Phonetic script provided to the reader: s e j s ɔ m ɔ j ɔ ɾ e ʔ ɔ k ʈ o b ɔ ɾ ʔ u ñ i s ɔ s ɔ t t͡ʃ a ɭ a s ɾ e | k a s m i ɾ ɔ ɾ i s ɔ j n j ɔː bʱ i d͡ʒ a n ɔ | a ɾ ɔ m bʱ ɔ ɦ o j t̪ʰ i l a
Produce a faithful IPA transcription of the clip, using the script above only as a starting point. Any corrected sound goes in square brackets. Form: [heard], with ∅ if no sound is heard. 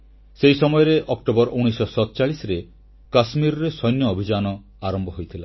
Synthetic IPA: s e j s ɔ m ɔ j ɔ ɾ e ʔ ɔ k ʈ o b ɔ ɾ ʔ u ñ i s ɔ s ɔ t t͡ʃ a ɭ [i] s ɾ e | k a s m i ɾ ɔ ɾ [e] s ɔ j n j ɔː bʱ i d͡ʒ a n ɔ | a ɾ ɔ m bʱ ɔ ɦ o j t̪ʰ i l a

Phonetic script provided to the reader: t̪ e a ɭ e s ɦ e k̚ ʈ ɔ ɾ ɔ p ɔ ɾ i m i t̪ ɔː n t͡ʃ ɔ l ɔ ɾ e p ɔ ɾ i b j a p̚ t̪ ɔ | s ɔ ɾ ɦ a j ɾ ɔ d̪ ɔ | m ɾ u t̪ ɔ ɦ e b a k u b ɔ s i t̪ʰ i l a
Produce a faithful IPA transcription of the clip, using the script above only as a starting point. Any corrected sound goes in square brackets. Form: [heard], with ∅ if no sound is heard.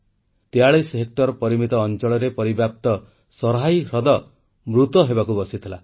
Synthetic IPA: t̪ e a ɭ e s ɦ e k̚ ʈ ɔ ɾ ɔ p ɔ ɾ i m i t̪ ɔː n t͡ʃ ɔ [ɭ] ɔ ɾ e p ɔ ɾ i b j a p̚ t̪ ɔ | s ɔ ɾ ɦ a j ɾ ɔ d̪ ɔ | m ɾ u t̪ ɔ ɦ e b a k u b ɔ s i t̪ʰ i l a

